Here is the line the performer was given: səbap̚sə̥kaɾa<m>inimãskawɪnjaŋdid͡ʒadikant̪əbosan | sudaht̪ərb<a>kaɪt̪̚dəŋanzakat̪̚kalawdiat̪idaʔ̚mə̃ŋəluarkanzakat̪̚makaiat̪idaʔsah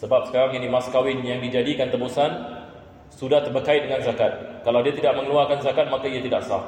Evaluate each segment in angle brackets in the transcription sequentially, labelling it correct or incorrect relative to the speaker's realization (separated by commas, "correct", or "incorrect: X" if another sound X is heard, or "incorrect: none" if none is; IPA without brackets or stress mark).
incorrect: ŋ, incorrect: ə